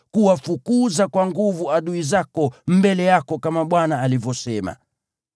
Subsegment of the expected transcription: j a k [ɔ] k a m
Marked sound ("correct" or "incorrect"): correct